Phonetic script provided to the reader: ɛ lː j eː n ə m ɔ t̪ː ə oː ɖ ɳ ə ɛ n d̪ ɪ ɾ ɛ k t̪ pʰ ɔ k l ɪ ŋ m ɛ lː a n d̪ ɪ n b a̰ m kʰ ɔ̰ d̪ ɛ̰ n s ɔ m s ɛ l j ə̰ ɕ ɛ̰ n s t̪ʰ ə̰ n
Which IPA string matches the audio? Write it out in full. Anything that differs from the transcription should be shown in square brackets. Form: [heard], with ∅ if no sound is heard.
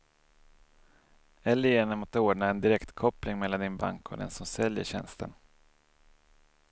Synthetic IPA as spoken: ɛ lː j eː n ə m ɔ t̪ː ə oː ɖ ɳ [a] ɛ n d̪ ɪ ɾ ɛ k t̪ [kʰ] ɔ [p] l ɪ ŋ m ɛ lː a n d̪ ɪ n b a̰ [ŋ] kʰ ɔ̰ d̪ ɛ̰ n s ɔ m s ɛ l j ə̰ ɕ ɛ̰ n s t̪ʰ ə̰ n

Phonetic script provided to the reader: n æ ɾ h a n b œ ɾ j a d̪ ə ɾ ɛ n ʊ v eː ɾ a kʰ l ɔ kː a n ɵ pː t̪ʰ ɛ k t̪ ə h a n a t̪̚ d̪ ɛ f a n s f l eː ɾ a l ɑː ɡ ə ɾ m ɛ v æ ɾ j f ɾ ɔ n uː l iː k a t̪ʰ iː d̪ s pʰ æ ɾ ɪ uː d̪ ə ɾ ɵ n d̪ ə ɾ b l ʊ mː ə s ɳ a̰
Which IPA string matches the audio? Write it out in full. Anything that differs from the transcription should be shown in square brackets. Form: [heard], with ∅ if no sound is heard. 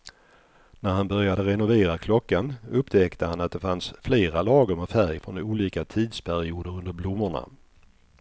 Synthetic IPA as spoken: n æ ɾ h a n b œ ɾ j a d̪ ə ɾ ɛ n ʊ v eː ɾ a kʰ l ɔ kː a n ɵ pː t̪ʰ ɛ k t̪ ə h a n a t̪̚ d̪ ɛ f a n s f l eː ɾ a l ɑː ɡ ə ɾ m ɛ [f] æ ɾ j f ɾ ɔ n uː l iː k a t̪ʰ iː d̪ s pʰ æ ɾ ɪ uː d̪ ə ɾ ɵ n d̪ ə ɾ b l ʊ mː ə [∅] ɳ a̰

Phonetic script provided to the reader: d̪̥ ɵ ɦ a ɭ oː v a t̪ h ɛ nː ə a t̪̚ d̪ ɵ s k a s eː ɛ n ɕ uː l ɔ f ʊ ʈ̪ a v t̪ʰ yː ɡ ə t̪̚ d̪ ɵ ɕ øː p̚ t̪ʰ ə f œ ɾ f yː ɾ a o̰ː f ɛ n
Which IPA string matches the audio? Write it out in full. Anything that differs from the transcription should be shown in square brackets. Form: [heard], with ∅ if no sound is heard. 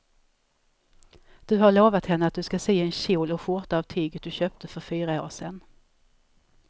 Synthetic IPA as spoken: d̪̥ ɵ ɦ a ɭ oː v a t̪ h ɛ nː ə a t̪̚ d̪ ɵ s k a s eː ɛ n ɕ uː l ɔ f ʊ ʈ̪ a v t̪ʰ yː ɡ ə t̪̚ d̪ ɵ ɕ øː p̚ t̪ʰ ə f œ ɾ f yː ɾ a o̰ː [ʂ] ɛ n

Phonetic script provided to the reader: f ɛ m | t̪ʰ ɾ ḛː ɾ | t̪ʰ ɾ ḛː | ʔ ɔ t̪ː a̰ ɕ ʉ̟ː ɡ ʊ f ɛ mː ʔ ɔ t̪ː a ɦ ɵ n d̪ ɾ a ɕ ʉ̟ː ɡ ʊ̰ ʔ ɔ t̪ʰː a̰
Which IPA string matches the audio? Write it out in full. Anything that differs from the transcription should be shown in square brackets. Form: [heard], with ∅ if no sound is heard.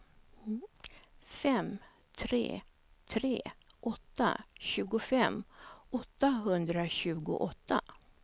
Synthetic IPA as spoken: f ɛ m | t̪ʰ ɾ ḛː [∅] | t̪ʰ ɾ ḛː | ʔ ɔ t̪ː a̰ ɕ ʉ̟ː ɡ ʊ f ɛ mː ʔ ɔ t̪ː a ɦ ɵ n d̪ ɾ a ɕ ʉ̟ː ɡ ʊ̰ ʔ ɔ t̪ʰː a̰

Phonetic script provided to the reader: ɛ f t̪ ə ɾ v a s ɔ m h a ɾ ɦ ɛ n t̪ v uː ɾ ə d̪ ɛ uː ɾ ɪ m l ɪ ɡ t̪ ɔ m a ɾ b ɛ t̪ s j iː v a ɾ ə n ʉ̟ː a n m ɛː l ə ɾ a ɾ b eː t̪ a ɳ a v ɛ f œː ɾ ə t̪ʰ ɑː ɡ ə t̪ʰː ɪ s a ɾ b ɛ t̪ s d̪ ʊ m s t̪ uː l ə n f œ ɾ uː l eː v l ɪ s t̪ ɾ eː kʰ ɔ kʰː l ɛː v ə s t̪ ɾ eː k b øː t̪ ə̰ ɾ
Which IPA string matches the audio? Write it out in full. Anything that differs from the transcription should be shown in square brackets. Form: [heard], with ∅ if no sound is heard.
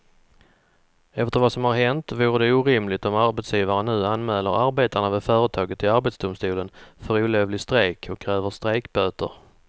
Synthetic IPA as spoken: ɛ f t̪ ə ɾ v a s ɔ m h a ɾ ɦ ɛ n t̪ v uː ɾ ə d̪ ɛ uː ɾ ɪ m l ɪ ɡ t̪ ɔ m a ɾ b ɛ t̪ s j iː v a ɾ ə n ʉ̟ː a n m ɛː l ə ɾ a ɾ b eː t̪ a ɳ a v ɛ f œː ɾ ə t̪ʰ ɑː ɡ ə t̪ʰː ɪ [∅] a ɾ b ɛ t̪ s d̪ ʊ m s t̪ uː l ə n f œ ɾ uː l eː v l ɪ s t̪ ɾ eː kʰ ɔ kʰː [ɾ] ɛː v ə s t̪ ɾ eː k b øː t̪ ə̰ ɾ

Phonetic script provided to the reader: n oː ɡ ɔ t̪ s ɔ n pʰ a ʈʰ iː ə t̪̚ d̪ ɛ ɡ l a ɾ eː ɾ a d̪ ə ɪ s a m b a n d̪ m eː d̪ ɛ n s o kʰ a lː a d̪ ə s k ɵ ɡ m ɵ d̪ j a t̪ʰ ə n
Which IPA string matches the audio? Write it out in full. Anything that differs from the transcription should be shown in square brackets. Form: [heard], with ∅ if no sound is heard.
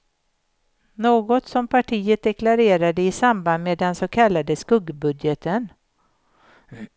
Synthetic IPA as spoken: n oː ɡ ɔ t̪ s ɔ [m] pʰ a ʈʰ iː ə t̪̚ d̪ ɛ [k] l a ɾ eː ɾ a d̪ ə ɪ s a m b a n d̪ m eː d̪ ɛ n s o kʰ a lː a d̪ ə s k ɵ ɡ [b] ɵ d̪ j [ə] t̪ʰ ə n

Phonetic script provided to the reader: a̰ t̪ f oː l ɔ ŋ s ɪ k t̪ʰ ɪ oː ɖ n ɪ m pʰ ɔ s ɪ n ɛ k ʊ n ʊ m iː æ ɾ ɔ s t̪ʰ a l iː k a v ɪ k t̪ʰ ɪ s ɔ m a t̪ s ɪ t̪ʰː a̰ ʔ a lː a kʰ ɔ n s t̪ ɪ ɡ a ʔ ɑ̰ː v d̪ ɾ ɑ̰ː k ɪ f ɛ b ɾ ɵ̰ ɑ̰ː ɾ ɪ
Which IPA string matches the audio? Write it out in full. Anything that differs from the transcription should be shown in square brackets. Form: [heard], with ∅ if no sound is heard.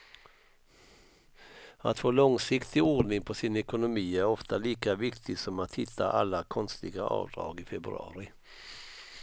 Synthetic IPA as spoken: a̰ t̪ f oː l ɔ ŋ s ɪ k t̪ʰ ɪ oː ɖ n ɪ [ŋ] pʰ ɔ s ɪ n ɛ k ʊ n ʊ m iː æ ɾ ɔ [f] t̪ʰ a l iː k a v ɪ k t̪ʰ ɪ s ɔ m a t̪ [h] ɪ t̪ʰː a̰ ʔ a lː a kʰ ɔ n s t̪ ɪ ɡ a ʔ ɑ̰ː v d̪ ɾ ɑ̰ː [ɡ] ɪ f ɛ b ɾ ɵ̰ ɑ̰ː ɾ ɪ

